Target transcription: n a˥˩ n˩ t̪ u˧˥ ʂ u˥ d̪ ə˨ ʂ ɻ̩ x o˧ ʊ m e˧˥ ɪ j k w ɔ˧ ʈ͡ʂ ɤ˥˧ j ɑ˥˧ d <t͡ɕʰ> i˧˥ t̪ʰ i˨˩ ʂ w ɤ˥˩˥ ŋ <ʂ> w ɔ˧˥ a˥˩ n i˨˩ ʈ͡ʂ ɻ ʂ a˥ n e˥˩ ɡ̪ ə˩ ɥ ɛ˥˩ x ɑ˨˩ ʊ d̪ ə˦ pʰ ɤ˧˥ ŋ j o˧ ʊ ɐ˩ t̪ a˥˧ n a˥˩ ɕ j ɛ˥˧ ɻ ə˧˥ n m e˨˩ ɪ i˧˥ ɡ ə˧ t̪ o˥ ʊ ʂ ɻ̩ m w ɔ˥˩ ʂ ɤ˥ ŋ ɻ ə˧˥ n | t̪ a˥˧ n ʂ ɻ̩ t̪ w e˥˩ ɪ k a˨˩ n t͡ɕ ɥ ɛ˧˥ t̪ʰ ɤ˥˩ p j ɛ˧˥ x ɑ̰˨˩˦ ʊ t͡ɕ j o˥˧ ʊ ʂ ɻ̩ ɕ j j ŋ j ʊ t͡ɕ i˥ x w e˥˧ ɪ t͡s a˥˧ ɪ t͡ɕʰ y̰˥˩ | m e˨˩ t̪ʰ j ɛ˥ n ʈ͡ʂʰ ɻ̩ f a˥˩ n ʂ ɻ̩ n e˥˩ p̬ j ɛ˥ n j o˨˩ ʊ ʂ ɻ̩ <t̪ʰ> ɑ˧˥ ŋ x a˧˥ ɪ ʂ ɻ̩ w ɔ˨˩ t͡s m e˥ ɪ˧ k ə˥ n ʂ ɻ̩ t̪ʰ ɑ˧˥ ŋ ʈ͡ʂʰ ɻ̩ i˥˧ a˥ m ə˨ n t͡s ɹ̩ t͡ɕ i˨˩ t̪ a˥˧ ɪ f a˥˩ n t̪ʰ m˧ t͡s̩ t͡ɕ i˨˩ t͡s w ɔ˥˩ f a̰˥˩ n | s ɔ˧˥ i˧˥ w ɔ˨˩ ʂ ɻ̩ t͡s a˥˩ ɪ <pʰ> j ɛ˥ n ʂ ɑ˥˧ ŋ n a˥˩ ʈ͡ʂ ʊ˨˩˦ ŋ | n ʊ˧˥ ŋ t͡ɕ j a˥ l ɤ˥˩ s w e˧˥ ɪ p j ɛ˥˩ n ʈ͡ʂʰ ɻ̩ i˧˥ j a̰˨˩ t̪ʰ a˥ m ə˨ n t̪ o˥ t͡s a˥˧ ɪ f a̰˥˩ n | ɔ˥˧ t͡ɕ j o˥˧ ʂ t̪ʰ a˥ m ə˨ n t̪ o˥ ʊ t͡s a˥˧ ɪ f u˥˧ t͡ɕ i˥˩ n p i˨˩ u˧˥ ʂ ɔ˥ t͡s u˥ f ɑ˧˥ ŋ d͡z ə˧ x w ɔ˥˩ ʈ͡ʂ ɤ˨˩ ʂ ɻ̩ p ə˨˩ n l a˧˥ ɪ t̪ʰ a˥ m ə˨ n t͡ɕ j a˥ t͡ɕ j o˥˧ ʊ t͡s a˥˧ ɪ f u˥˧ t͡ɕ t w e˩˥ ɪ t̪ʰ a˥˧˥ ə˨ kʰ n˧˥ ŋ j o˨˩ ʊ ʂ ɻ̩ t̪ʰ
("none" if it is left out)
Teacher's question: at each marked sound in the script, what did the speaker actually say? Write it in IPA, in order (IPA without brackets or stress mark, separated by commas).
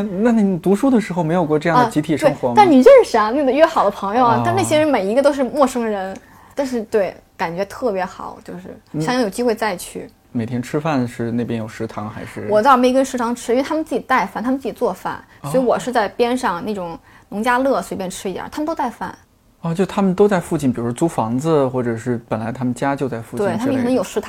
t͡ɕ, x, t̪ʰ, p